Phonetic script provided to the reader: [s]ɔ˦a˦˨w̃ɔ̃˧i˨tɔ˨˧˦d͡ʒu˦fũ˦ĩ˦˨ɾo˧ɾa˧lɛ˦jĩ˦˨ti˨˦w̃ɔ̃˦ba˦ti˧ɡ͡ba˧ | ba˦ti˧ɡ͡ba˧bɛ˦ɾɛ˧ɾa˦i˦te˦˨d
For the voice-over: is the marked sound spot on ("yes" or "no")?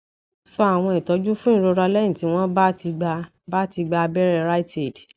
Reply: yes